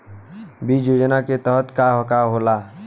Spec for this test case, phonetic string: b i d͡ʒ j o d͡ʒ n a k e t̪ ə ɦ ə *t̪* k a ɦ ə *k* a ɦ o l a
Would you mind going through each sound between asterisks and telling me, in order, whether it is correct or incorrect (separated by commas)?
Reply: correct, correct